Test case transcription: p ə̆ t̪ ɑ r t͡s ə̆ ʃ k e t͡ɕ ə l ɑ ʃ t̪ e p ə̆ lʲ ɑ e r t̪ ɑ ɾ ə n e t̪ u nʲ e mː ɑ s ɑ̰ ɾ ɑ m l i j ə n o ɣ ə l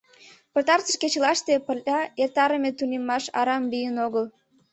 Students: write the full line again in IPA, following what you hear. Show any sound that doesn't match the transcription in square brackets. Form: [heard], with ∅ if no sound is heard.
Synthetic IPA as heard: p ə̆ t̪ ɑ r t͡s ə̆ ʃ k e t͡ɕ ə l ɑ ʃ t̪ e p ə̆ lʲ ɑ e r t̪ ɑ ɾ ə [m] e t̪ u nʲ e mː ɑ [ʃ] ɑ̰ ɾ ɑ m l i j ə n o ɣ ə l